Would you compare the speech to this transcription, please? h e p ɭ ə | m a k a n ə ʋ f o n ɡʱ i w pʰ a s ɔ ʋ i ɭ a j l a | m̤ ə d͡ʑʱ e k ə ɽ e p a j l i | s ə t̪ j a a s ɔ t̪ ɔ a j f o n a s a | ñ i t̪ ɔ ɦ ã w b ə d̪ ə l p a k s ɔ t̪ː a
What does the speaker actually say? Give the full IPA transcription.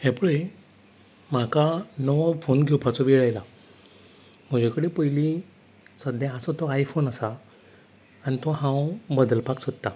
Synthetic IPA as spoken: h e p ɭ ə | m a k a n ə ʋ f o n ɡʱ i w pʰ a t͡s ɔ ʋ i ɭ a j l a | m̤ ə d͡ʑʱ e k ə ɽ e p ə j l i | s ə d̪ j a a s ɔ t̪ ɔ a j f o n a s a | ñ i t̪ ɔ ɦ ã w b ə d̪ ə l p a k s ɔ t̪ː a